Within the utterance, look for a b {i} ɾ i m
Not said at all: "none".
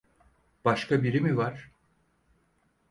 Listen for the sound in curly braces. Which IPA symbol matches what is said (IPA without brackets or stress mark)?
i